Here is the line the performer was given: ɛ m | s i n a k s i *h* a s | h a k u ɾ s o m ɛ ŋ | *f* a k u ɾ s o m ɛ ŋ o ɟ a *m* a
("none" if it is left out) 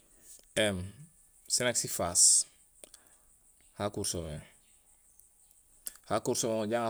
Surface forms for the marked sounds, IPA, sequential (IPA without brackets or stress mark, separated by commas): f, h, ŋ